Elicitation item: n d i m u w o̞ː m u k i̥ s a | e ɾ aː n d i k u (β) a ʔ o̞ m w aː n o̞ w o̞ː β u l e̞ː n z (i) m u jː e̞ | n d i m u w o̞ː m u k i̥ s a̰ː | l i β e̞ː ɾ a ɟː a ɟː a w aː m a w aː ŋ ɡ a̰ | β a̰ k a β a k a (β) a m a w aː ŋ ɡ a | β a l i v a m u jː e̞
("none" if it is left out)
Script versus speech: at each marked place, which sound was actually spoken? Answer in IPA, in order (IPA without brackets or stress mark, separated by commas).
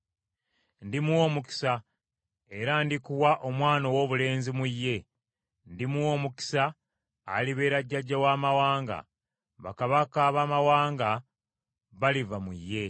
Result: w, i, β